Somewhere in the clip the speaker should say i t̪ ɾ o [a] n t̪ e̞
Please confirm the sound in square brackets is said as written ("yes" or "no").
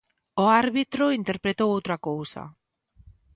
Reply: no